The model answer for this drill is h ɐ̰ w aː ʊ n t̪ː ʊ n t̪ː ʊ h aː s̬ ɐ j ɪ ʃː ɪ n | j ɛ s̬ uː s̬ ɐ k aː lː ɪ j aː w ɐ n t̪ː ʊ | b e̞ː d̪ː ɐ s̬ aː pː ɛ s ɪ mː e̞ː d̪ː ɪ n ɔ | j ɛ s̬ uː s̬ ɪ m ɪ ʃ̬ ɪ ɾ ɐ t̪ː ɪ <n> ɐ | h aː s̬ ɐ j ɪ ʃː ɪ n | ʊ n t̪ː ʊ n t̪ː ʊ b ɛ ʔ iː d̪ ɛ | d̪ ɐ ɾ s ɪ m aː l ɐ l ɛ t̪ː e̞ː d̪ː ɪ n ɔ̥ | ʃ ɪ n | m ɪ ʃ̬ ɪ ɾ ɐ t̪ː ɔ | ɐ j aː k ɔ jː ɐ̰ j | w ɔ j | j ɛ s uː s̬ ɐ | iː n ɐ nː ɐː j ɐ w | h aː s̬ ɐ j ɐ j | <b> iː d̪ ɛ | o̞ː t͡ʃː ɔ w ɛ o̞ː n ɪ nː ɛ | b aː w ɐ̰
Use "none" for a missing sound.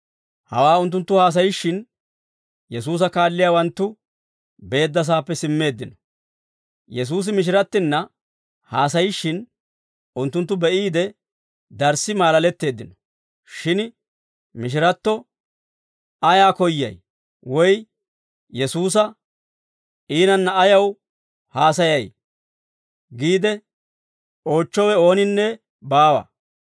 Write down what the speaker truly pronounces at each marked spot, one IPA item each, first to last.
nː, ɡ

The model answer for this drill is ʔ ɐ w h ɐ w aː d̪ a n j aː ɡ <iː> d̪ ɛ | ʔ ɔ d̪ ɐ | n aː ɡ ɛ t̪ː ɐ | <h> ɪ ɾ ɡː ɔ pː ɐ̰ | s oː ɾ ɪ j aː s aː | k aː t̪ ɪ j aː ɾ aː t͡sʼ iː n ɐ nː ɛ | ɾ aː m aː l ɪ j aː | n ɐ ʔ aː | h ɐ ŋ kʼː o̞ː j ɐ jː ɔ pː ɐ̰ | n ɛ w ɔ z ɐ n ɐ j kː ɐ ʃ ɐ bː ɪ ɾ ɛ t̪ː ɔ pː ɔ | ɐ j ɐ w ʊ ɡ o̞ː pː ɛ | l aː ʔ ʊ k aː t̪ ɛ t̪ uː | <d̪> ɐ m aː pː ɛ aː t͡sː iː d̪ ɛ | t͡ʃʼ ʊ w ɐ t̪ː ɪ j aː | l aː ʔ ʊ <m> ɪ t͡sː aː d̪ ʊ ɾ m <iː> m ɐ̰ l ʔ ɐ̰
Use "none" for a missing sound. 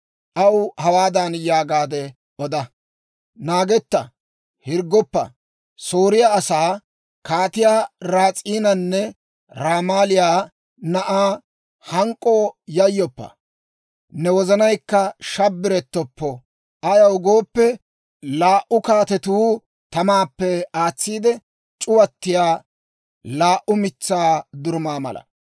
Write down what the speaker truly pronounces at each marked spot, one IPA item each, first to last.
aː, h, t̪, m, aː

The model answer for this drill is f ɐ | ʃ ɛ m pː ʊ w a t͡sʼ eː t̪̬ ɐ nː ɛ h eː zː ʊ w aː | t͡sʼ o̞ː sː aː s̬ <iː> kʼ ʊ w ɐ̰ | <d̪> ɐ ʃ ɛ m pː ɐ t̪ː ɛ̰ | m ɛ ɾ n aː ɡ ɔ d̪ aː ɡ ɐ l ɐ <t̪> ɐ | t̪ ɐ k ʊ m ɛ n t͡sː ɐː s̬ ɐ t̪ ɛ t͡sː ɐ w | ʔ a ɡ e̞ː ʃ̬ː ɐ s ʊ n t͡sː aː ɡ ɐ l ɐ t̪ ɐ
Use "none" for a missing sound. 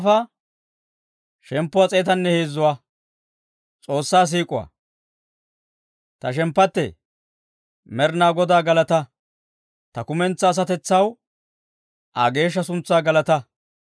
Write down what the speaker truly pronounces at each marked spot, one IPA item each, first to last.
iː, t̪, t̪

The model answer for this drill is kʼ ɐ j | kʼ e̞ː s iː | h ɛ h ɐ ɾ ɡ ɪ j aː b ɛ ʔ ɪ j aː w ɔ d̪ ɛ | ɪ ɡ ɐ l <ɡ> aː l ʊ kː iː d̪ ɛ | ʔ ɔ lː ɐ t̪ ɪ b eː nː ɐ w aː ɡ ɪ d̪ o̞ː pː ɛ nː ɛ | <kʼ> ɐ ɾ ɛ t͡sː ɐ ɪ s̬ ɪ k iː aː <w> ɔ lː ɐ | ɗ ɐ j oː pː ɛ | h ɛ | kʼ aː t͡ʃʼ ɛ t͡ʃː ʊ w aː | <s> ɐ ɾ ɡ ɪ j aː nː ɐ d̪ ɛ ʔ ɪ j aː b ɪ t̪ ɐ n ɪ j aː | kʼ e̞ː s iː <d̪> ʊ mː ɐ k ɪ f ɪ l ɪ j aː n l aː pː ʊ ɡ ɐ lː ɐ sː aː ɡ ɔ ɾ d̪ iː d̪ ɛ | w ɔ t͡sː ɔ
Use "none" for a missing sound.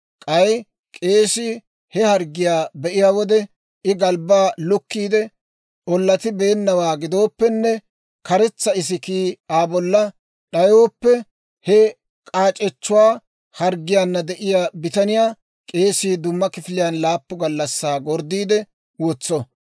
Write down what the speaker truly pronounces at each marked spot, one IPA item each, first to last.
b, k, b, h, d̪

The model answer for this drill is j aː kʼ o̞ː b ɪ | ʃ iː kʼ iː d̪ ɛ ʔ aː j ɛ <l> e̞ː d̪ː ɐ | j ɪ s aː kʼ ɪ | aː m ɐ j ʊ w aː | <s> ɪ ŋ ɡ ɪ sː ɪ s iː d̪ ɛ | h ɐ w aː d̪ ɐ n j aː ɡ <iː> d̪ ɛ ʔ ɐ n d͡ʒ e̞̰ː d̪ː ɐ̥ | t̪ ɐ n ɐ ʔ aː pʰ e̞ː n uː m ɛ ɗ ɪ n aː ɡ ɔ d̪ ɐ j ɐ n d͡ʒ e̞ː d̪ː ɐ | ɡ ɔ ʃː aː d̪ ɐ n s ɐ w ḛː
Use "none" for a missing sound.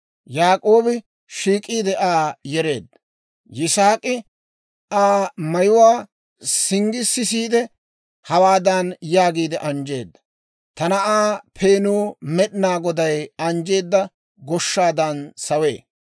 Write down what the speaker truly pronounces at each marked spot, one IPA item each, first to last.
ɾ, s, iː

